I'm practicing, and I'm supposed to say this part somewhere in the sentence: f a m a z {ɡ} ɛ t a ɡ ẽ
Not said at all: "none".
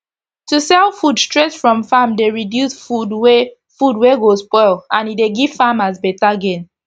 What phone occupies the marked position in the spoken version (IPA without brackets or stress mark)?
b